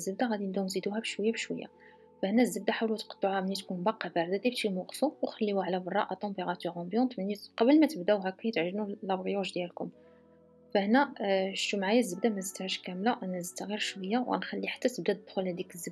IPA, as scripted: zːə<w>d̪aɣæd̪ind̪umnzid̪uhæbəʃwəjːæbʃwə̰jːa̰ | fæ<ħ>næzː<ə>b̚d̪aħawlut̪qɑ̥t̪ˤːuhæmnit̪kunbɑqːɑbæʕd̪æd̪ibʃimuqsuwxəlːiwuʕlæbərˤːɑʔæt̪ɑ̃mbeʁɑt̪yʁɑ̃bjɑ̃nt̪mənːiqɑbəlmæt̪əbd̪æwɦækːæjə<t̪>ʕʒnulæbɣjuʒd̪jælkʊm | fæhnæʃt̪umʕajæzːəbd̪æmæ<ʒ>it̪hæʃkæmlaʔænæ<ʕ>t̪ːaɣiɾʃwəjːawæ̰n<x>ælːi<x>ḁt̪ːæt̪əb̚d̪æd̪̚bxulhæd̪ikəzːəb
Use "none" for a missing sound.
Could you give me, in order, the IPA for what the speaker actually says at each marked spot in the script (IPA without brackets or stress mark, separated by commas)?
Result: b, h, ə, t̪, z, z, x, ħ